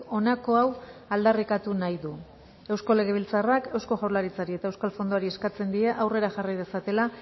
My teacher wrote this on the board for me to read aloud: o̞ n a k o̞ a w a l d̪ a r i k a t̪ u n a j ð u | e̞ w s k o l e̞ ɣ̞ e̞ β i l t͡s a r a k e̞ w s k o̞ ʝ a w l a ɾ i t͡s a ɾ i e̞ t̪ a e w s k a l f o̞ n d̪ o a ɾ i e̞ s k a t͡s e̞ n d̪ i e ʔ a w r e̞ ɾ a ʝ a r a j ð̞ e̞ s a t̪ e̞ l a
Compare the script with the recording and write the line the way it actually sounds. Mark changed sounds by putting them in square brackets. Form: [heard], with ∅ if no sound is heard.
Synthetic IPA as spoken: o̞ n a k o̞ a w a l d̪ a r i k a t̪ u n a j ð u | e̞ w s k o l e̞ ɣ̞ e̞ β i l t͡s a r a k e̞ w s k o̞ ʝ a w l a ɾ i t͡s a ɾ i e̞ t̪ a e w s k a l f o̞ n d̪ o a ɾ i e̞ s k a t͡s e̞ n d̪ i e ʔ a w r e̞ ɾ a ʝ a r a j ð̞ e̞ s a t̪ e̞ l a